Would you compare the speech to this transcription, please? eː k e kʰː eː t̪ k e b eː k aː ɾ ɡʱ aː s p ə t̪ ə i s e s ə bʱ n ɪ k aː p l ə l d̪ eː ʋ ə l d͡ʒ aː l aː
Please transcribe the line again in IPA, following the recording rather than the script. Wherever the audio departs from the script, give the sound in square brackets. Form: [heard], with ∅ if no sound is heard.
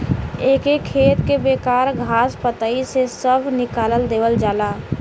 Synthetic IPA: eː k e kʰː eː t̪ k e b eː k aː ɾ ɡʱ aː s p ə t̪ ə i s e s ə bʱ n ɪ k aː [∅] l ə l d̪ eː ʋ ə l d͡ʒ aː l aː